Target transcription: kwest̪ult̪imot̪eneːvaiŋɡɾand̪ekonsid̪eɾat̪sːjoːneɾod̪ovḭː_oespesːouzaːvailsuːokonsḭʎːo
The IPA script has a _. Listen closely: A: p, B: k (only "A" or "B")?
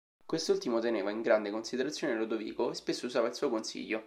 B